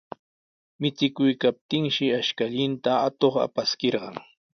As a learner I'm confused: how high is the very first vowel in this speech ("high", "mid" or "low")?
high